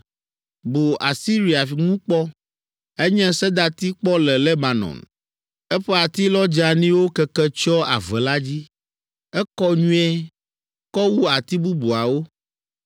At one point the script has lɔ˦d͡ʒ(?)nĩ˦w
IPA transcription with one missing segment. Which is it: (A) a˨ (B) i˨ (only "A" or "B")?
A